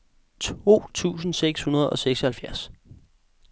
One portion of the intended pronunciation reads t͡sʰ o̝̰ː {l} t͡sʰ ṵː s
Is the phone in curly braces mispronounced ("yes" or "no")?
yes